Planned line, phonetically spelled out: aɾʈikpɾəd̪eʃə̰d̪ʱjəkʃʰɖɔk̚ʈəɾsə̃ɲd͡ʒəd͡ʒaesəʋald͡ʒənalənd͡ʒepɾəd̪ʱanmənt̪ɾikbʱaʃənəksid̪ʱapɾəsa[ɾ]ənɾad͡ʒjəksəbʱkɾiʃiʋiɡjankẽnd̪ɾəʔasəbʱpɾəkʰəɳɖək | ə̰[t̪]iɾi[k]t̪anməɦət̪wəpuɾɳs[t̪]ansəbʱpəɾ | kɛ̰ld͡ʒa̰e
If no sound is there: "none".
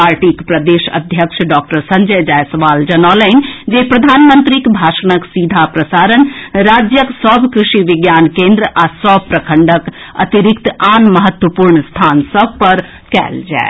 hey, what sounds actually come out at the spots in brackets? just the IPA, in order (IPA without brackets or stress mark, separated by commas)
ɾ, t̪, k, t̪ʰ